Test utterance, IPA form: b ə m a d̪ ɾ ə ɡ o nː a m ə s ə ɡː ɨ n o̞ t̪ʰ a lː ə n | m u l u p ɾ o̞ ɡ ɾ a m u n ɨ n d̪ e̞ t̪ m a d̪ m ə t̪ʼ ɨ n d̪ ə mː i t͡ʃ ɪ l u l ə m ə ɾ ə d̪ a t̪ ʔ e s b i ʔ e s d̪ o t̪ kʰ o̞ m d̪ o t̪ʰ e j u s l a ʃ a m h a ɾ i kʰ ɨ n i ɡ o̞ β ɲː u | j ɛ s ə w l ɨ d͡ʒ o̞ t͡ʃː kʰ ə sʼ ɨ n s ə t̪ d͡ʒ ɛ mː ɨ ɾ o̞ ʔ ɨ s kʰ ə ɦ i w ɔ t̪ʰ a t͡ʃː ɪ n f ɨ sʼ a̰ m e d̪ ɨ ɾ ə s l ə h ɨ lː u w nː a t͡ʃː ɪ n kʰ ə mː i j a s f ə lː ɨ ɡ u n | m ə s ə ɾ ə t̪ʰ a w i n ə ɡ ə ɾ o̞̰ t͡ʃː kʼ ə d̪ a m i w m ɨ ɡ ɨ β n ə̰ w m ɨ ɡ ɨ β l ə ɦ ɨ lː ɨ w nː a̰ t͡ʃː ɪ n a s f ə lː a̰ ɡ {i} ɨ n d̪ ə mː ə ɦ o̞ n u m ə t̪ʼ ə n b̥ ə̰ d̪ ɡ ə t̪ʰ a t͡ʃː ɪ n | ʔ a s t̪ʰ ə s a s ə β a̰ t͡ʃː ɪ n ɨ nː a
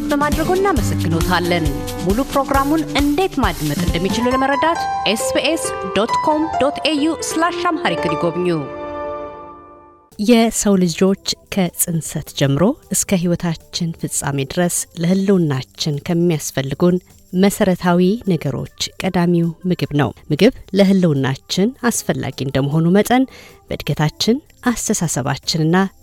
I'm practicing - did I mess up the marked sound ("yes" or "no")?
no